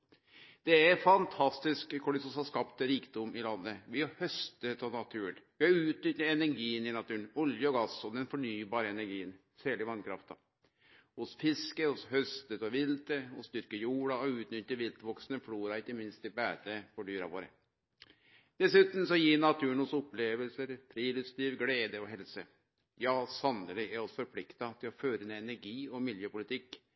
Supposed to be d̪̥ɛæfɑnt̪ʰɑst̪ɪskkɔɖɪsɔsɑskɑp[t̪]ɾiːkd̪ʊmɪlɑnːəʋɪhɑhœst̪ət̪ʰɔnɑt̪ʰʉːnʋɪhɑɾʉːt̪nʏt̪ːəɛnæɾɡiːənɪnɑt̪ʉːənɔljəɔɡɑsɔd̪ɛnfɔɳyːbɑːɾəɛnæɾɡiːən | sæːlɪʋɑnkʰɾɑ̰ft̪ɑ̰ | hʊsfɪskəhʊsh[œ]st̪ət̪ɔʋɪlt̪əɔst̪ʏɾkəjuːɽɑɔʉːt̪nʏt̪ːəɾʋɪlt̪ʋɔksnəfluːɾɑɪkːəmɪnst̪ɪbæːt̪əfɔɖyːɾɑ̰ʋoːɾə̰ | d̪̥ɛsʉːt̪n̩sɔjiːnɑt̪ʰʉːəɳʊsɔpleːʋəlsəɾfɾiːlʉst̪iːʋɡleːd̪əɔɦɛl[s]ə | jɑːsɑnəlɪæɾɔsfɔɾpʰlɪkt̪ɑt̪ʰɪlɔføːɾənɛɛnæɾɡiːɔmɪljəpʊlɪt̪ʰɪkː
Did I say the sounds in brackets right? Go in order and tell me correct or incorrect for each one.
correct, correct, correct

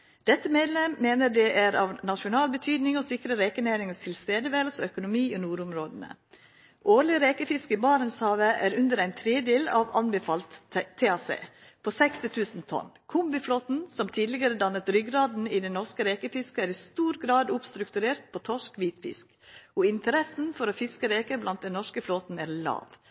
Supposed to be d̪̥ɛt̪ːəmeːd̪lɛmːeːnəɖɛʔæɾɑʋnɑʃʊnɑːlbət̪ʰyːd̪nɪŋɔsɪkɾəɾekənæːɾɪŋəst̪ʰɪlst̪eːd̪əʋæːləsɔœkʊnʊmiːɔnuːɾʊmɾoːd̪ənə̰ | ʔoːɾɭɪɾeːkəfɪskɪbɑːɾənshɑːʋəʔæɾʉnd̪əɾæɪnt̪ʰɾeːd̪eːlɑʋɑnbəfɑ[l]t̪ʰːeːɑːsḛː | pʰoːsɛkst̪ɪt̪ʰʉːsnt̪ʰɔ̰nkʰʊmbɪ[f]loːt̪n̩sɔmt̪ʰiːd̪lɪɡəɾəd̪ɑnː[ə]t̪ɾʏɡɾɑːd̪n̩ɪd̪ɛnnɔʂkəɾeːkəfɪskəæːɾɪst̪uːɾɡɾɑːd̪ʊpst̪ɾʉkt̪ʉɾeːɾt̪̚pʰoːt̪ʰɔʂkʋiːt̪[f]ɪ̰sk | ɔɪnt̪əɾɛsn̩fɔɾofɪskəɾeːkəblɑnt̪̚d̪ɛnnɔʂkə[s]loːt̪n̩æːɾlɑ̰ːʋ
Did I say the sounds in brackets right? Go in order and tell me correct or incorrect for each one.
correct, correct, correct, correct, incorrect: f

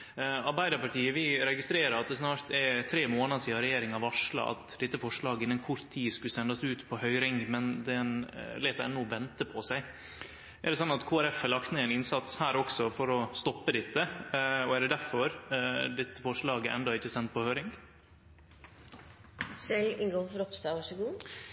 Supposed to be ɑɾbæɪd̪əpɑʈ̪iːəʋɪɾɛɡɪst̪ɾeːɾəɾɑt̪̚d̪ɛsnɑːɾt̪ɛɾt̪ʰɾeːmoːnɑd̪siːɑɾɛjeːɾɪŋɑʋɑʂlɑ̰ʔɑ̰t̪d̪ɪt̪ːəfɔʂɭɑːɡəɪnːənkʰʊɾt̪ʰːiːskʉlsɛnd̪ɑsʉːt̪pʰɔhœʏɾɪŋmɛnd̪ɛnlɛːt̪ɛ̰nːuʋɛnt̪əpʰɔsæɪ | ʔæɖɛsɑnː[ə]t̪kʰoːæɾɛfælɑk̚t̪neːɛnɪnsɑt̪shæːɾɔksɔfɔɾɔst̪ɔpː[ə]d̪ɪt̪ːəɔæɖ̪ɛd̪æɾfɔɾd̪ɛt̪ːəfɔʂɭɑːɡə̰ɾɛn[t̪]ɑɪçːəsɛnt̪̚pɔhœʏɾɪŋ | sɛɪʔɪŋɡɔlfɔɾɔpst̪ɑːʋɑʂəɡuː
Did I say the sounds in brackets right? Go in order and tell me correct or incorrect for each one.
incorrect: ɑ, correct, incorrect: d̪

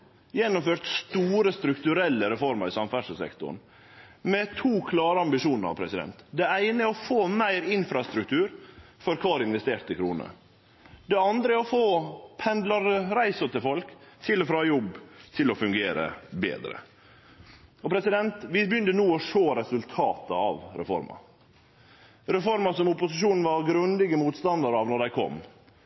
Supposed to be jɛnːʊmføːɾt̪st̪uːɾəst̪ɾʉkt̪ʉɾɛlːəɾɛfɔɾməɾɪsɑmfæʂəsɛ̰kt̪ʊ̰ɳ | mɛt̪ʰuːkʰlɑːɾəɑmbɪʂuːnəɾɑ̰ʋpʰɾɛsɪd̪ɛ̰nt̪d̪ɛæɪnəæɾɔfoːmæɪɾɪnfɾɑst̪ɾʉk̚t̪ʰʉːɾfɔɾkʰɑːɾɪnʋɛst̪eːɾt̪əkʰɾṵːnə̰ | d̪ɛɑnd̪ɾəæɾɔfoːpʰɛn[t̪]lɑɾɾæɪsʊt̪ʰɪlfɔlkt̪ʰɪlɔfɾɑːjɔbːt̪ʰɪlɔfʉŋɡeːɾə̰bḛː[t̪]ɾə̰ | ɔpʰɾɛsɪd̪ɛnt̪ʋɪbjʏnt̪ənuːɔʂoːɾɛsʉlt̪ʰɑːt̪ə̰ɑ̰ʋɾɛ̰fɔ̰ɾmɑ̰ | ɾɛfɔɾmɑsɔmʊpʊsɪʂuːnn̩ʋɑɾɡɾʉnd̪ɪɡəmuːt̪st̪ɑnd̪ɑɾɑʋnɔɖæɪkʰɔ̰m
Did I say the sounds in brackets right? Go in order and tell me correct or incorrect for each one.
incorrect: d̪, incorrect: d̪

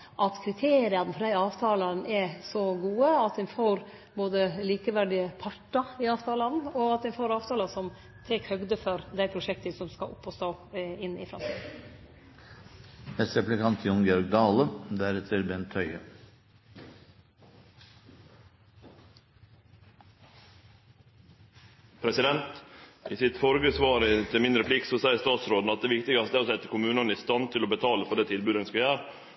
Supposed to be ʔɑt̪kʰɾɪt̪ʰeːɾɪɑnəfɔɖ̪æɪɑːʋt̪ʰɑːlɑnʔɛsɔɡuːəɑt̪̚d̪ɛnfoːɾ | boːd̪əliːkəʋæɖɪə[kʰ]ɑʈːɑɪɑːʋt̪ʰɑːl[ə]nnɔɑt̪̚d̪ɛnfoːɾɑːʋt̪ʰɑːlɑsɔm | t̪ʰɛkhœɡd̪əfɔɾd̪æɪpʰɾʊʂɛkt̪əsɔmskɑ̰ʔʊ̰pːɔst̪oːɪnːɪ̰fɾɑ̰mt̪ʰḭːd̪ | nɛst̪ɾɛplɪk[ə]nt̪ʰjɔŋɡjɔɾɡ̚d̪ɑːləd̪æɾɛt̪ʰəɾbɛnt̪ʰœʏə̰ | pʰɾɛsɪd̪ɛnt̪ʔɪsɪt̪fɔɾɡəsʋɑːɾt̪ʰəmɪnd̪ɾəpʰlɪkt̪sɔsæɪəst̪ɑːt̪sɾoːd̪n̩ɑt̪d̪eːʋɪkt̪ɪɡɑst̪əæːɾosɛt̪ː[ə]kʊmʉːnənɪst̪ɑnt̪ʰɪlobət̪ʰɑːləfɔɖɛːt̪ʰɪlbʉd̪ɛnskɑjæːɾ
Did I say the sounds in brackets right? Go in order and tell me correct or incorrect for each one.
incorrect: pʰ, incorrect: ɑ, incorrect: ɑ, correct

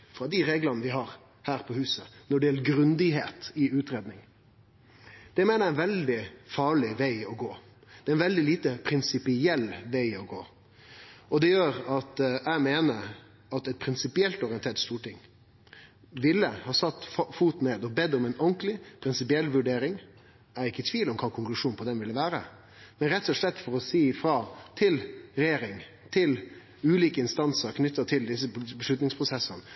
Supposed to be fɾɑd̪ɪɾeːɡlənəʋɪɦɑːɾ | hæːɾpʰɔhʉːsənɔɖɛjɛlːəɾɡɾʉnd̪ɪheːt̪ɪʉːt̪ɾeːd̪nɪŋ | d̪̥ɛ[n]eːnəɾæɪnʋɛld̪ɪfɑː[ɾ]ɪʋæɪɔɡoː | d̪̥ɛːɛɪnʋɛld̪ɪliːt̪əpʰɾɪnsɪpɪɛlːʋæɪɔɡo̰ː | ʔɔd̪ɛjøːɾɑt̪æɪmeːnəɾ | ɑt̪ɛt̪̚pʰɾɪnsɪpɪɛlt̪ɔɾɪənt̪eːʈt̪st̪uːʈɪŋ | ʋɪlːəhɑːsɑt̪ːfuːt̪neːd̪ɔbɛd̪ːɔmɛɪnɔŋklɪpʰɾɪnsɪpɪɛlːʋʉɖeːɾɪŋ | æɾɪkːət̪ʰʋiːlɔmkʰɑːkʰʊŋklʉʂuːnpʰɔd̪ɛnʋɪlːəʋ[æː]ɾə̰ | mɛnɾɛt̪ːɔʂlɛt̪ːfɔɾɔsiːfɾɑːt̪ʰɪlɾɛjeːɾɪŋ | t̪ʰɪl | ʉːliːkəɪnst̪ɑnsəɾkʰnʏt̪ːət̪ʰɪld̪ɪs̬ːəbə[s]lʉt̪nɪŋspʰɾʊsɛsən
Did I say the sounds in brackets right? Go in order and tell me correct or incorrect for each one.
incorrect: m, incorrect: ɭ, correct, incorrect: ʂ

